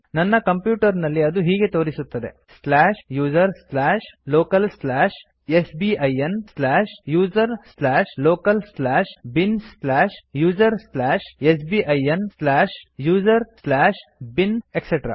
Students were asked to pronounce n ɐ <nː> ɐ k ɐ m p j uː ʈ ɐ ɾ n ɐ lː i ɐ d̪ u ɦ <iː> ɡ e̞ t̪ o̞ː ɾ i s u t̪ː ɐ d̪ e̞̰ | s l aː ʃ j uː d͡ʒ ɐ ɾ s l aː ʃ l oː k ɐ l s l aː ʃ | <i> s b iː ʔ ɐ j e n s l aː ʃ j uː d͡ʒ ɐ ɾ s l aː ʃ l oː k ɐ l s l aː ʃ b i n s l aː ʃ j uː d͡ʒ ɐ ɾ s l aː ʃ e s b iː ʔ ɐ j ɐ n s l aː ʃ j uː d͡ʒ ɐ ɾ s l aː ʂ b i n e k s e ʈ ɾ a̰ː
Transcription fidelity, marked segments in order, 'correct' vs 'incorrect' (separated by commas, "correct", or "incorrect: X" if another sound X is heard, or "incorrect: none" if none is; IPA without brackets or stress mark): correct, correct, incorrect: e